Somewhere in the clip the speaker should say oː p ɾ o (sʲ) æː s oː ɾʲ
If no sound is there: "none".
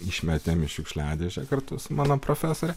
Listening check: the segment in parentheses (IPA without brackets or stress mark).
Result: fʲ